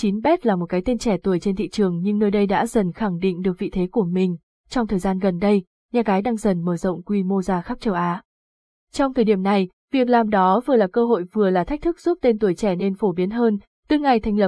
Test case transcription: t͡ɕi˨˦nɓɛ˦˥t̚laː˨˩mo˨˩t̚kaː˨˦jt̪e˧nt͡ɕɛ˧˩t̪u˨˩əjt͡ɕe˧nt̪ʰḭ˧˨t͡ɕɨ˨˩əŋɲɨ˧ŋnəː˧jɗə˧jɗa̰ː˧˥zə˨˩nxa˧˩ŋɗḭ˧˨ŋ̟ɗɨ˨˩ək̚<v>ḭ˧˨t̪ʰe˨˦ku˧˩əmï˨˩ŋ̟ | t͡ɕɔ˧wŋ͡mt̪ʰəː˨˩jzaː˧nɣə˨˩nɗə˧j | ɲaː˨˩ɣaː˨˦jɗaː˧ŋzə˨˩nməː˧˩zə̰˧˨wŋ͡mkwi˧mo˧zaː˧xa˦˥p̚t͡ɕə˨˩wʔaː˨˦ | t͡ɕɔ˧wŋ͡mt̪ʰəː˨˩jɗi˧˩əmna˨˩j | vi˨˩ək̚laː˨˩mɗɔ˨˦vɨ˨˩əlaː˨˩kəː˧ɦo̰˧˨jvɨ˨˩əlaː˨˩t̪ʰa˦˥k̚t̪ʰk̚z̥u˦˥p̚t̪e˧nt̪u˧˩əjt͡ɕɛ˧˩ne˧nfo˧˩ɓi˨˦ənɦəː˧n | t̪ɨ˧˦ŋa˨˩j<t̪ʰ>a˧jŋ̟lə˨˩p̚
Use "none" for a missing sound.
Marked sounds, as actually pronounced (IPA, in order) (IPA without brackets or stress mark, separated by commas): v, t̪ʰ